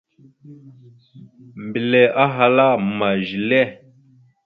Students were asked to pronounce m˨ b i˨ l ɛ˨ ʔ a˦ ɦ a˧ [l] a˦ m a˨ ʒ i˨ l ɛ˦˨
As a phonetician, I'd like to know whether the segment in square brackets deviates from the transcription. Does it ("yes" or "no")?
no